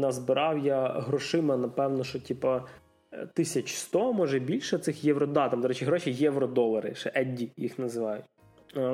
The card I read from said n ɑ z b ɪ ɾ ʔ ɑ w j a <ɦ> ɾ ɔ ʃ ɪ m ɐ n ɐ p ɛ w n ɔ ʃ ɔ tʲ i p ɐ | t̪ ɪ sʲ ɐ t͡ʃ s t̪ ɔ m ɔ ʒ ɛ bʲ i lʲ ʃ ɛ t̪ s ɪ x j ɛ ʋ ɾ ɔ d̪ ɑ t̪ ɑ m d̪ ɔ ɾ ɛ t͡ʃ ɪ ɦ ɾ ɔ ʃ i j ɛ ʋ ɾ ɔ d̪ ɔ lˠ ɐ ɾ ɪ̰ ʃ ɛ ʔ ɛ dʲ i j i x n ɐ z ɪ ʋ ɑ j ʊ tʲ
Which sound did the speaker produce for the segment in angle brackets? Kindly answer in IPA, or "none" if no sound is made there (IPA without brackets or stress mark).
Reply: ɦ